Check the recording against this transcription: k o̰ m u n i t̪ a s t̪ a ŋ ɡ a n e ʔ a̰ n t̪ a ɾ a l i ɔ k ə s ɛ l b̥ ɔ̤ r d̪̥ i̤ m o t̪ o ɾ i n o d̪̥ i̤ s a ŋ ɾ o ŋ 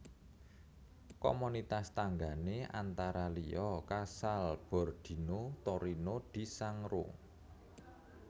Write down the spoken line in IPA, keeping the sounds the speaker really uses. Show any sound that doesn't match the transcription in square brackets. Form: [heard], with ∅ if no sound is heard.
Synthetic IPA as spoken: k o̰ m u n i t̪ a s t̪ a ŋ ɡ a n e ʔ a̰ n t̪ a ɾ a l i ɔ k [a] s [a] l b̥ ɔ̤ r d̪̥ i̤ [n] o t̪ o ɾ i n o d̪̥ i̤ s a ŋ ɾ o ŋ

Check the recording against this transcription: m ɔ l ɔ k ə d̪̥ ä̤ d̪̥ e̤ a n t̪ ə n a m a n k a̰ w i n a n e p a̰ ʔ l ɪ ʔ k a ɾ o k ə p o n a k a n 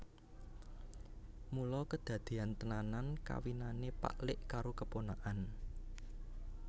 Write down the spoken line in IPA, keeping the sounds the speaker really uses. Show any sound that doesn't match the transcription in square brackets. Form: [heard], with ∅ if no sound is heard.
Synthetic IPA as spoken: m [u] l ɔ k ə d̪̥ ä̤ d̪̥ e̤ a n t̪ ə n a [n] a n k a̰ w i n a n e p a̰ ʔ l ɪ ʔ k a ɾ o k ə p o n a [ʔ] a n

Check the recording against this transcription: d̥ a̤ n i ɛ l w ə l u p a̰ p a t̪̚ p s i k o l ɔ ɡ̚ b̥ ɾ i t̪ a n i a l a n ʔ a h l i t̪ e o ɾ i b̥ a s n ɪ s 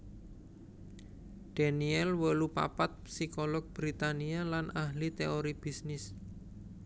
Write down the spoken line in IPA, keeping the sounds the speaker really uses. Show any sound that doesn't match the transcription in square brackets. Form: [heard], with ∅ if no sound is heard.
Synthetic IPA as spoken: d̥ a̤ n i ɛ l w ə l u p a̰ p a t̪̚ p s i k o l ɔ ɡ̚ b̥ ɾ i t̪ a n i a l a n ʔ a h l i t̪ e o ɾ i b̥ [i] s n ɪ s

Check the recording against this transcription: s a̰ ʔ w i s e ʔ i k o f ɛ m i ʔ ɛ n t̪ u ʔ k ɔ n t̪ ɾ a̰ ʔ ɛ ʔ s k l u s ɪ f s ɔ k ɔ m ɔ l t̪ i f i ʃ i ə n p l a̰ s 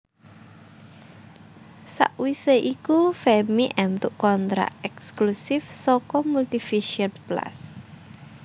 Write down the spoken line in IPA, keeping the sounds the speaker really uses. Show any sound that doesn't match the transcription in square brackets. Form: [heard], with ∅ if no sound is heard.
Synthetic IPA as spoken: s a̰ ʔ w i s e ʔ i k [u] f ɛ m i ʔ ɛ n t̪ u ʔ k ɔ n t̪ ɾ a̰ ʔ ɛ [k] s k l u s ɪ f s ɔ k ɔ m [u] l t̪ i f i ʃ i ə n p l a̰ s

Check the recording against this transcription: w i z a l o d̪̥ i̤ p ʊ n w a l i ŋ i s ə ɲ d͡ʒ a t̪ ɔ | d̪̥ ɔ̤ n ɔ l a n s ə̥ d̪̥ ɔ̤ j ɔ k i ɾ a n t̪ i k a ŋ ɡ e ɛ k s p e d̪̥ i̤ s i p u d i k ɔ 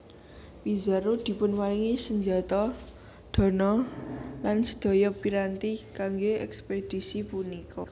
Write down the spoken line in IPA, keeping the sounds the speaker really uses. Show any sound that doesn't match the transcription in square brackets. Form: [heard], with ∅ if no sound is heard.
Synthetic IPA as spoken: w i z a [ɾ] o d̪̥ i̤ p ʊ n w a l i ŋ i s ə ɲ d͡ʒ a t̪ ɔ | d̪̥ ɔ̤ n ɔ l a n s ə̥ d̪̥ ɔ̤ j ɔ [p] i ɾ a n t̪ i k a ŋ ɡ e ɛ k s p e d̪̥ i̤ s i p u [n] i k ɔ

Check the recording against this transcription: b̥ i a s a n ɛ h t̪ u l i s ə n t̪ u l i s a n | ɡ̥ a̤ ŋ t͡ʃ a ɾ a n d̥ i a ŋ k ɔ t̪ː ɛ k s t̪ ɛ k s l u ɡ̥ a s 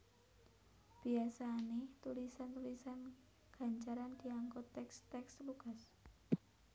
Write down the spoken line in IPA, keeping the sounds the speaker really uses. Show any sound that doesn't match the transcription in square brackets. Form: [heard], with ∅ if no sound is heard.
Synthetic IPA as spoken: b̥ i a s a n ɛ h t̪ u l i s [a] n t̪ u l i s a n | ɡ̥ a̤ [ɲ] t͡ʃ a ɾ a n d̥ i a ŋ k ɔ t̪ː ɛ k s t̪ ɛ k s l u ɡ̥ a s

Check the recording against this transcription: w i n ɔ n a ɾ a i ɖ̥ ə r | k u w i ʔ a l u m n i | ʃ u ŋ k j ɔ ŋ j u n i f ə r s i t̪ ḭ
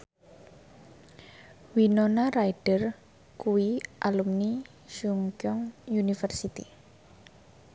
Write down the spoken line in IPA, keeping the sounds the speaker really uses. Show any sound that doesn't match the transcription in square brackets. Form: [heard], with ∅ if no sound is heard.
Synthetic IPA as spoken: w i n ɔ n a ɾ a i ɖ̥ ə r | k u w i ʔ a l u m n i | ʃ u ŋ k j ɔ ŋ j u n i f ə r s i t̪ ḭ

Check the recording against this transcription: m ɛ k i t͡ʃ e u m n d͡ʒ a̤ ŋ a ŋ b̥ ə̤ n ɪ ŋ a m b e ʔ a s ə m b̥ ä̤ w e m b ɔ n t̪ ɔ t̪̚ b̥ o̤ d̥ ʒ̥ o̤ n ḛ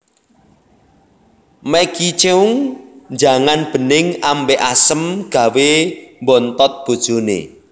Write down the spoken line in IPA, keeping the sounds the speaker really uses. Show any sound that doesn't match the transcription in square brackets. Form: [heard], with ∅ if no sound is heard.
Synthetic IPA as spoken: m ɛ k i t͡ʃ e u [ŋ] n d͡ʒ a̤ ŋ a [n] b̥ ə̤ n ɪ ŋ a m b e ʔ a s ə m [ɡ̥] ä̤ w e m b ɔ n t̪ ɔ t̪̚ b̥ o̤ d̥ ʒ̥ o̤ n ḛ

